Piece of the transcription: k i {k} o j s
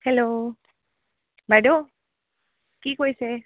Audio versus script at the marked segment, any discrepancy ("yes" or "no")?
no